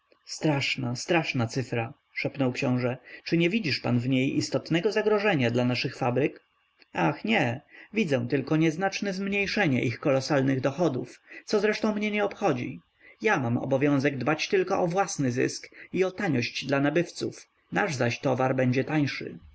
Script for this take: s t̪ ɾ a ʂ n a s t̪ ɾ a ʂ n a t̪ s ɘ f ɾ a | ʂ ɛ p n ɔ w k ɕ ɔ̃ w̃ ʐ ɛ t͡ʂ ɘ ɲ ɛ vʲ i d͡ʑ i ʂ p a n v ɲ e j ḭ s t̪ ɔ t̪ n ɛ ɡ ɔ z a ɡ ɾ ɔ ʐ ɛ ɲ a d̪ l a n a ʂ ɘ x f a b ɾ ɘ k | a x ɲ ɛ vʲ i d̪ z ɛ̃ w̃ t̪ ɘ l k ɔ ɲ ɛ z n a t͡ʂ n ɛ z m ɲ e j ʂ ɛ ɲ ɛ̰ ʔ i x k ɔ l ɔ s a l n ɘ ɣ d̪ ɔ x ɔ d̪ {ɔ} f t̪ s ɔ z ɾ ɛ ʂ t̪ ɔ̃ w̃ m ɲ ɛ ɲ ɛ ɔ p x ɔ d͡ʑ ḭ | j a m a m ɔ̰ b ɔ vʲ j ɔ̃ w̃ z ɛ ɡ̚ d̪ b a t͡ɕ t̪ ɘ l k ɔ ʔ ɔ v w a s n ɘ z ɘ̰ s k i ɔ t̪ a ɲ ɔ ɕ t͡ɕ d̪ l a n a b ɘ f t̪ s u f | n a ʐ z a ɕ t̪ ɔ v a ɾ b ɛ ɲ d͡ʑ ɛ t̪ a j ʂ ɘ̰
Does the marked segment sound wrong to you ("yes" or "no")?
yes